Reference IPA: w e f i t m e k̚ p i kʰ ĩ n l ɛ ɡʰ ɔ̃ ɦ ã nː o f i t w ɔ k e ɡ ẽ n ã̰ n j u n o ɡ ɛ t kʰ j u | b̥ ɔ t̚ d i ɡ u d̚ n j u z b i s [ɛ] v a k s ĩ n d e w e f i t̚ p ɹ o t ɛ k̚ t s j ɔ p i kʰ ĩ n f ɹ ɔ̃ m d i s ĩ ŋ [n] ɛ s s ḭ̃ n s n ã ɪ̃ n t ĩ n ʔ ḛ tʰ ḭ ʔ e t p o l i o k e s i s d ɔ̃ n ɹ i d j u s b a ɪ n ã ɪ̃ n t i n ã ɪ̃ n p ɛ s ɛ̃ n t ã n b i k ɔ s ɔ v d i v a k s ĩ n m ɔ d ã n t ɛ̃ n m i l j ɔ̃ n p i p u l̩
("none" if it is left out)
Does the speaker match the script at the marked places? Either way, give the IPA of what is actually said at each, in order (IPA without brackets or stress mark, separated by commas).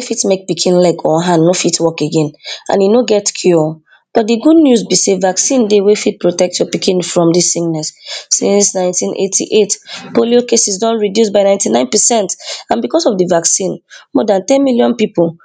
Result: e, n